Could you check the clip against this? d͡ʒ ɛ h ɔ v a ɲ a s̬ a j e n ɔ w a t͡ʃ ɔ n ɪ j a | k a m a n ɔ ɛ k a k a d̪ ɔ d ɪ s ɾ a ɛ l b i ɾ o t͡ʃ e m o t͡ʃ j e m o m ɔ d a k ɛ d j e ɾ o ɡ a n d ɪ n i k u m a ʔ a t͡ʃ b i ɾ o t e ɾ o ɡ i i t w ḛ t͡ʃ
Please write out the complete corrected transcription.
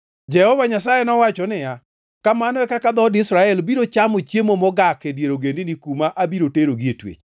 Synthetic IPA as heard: d͡ʒ ɛ h ɔ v a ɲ a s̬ a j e n ɔ w a t͡ʃ ɔ n ɪ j a | k a m a n ɔ ɛ k a k a d̪ ɔ d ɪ s ɾ a ɛ l b i ɾ o t͡ʃ a m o t͡ʃ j e m o m ɔ ɡ a k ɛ d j e ɾ o ɡ e n d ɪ n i k u m a ʔ a b i ɾ o t e ɾ o ɡ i e t w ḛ t͡ʃ